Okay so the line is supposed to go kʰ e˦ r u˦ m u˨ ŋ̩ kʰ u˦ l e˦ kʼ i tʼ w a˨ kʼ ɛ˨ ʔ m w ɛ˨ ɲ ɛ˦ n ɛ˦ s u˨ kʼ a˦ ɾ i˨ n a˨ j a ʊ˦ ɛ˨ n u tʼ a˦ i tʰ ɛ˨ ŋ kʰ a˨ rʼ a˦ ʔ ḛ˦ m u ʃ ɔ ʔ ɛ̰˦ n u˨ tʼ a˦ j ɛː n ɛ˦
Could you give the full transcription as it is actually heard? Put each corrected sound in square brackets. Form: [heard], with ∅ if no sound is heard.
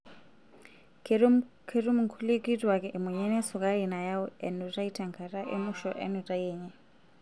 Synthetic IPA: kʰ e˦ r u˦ m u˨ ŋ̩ kʰ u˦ l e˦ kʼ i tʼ w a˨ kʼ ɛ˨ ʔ m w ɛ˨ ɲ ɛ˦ n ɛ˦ s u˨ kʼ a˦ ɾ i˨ n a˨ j a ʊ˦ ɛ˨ n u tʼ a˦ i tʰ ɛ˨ ŋ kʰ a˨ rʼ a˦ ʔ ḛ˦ m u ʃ ɔ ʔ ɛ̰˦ n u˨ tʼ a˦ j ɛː [ɲ] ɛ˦